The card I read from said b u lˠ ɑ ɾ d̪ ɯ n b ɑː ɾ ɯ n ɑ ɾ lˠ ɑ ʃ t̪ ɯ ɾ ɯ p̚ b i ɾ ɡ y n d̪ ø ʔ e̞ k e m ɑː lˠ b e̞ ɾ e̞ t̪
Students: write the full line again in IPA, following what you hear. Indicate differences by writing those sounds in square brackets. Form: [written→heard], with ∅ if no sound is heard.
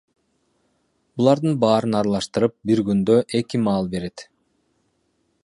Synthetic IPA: b u lˠ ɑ ɾ d̪ ɯ n b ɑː ɾ ɯ n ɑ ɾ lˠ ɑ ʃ t̪ ɯ ɾ ɯ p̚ b i ɾ ɡ y n d̪ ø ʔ e̞ k [e→i] m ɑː lˠ b e̞ ɾ e̞ t̪